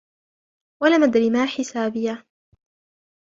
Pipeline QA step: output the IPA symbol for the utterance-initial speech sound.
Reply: w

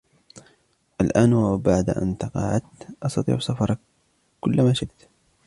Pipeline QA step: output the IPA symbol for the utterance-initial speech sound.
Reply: ʔ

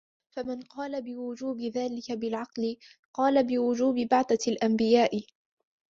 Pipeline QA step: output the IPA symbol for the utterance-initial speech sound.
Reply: f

